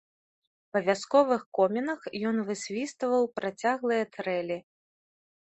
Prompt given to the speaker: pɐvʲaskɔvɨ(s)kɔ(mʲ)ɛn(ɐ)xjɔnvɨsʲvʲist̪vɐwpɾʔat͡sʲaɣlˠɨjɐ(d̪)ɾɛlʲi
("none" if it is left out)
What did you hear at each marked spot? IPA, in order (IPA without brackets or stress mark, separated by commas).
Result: x, mʲ, ɐ, t̪